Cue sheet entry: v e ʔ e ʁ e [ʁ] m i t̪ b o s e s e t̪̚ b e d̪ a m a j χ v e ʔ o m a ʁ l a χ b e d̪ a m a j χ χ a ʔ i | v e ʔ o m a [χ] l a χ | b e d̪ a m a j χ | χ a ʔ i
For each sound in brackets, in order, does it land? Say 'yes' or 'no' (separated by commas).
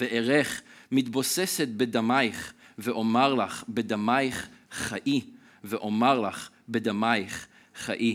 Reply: no, no